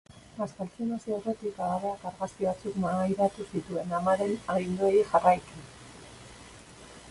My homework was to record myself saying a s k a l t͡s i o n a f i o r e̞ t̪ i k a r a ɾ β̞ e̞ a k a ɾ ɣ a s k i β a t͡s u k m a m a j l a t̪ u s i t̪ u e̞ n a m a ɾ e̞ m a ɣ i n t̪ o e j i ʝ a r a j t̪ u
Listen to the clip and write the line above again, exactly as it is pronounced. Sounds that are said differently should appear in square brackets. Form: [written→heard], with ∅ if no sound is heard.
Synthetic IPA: a s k a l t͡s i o n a [f→s] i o r e̞ t̪ i k a [r→l] a [ɾ→∅] β̞ e̞ a k a ɾ ɣ a s k i β a t͡s u k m a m a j [l→ɾ] a t̪ u s i t̪ u e̞ n a m a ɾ e̞ [m→n] a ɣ i n [t̪→d̪] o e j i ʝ a r a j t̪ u